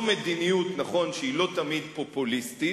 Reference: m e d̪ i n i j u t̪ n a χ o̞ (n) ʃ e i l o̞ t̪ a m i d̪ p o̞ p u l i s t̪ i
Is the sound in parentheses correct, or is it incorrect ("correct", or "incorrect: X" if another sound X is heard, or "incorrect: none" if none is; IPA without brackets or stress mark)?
correct